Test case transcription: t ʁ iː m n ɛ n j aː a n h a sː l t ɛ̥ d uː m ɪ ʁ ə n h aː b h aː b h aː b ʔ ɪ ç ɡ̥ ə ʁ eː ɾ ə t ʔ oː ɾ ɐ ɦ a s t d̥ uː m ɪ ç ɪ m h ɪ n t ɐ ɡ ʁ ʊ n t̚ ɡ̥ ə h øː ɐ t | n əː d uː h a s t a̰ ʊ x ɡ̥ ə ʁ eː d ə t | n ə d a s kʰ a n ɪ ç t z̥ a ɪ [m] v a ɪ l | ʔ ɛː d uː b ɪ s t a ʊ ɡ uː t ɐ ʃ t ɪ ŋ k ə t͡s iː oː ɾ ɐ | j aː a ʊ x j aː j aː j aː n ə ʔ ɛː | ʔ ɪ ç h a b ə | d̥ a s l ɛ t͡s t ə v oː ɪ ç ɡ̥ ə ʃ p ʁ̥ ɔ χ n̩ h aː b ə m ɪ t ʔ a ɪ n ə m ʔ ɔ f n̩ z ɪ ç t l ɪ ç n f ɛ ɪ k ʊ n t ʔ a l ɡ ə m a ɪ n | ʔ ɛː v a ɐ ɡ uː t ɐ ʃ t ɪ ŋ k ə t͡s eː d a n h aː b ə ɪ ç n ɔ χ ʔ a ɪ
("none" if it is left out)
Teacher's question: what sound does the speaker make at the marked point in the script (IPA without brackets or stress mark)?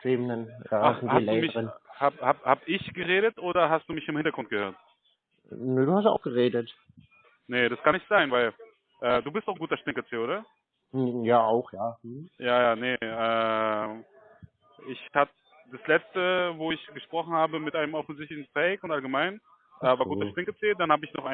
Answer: n